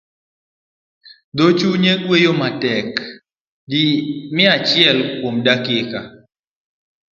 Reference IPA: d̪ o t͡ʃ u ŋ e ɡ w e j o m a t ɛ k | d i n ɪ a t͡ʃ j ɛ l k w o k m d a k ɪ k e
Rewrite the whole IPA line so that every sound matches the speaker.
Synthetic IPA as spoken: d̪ o t͡ʃ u ɲ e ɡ w e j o m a t ɛ k | d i m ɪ a t͡ʃ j ɛ l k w o m d a k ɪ k a